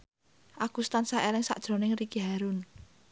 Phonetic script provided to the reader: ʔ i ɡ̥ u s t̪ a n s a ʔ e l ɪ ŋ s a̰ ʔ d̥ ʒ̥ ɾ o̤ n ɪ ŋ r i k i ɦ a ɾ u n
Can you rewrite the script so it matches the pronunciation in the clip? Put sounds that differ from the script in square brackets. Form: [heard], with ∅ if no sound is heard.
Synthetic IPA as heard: ʔ [a] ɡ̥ u s t̪ a n s a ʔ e l ɪ ŋ s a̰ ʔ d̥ ʒ̥ ɾ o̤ n ɪ ŋ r i k i ɦ a ɾ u n